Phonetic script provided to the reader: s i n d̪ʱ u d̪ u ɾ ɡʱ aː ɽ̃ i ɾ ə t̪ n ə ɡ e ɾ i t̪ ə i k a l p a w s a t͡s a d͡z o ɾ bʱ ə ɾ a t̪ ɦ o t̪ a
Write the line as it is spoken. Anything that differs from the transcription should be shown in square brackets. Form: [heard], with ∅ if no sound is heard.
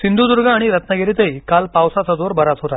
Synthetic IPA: s i n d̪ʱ u d̪ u ɾ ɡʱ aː ɽ̃ i ɾ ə t̪ n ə ɡ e ɾ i t̪ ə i k a l p a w s a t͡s a d͡z o ɾ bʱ ə ɾ a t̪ ɦ o t̪ a